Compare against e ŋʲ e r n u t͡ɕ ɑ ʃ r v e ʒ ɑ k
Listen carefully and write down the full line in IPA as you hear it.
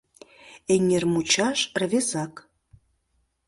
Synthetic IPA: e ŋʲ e r m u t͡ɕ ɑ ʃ r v e z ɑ k